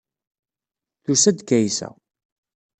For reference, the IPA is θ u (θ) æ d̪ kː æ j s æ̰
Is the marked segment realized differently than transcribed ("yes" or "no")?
yes